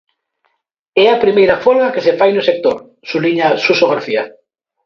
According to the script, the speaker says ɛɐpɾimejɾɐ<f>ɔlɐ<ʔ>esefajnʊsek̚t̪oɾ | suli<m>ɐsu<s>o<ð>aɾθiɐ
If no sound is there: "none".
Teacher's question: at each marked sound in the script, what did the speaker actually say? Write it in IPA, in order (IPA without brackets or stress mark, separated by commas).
f, k, ɲ, s, ɣ